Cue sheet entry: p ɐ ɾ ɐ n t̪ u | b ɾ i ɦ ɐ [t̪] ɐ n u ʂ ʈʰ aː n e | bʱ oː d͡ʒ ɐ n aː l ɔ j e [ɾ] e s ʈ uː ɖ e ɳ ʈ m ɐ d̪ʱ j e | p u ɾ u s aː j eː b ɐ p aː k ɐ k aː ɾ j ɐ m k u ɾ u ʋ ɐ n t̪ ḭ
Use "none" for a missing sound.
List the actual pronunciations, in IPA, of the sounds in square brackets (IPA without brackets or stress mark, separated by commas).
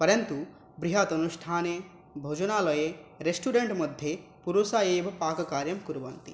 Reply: t̪, ɾ